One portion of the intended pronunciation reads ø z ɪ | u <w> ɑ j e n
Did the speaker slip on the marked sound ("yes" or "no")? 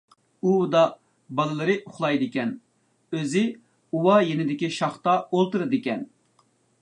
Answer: no